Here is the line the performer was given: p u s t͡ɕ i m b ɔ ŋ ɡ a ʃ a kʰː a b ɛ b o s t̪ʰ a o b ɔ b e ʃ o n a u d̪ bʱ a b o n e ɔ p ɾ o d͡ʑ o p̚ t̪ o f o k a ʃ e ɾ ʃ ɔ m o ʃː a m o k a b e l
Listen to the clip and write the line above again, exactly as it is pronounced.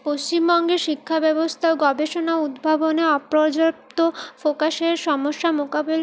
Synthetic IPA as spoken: p o s t͡ɕ i m b ɔ ŋ ɡ e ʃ i kʰː a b ɛ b o s t̪ʰ a o ɡ ɔ b e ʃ o n a u d̪ bʱ a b o n e ɔ p ɾ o d͡ʑ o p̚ t̪ o f o k a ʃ e ɾ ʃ ɔ m o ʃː a m o k a b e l